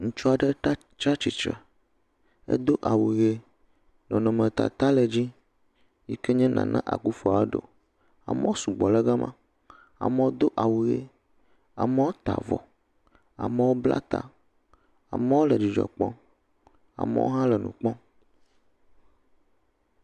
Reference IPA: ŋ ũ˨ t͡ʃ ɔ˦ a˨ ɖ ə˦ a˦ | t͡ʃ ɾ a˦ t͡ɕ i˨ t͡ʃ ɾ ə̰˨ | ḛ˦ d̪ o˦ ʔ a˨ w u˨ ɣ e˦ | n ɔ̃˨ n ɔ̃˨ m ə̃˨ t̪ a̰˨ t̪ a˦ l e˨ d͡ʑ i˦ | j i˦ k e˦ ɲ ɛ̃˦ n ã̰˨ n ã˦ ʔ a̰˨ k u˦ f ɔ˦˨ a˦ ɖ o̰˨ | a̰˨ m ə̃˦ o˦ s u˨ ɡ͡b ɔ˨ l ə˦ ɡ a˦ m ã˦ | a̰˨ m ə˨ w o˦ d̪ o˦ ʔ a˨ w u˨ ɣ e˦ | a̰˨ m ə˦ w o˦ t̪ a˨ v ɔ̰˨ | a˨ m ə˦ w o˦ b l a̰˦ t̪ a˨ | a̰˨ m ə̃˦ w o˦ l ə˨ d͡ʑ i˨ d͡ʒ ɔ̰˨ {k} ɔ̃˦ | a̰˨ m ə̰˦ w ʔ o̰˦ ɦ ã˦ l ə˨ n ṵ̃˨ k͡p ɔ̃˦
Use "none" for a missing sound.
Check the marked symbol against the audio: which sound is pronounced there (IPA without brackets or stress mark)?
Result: k͡p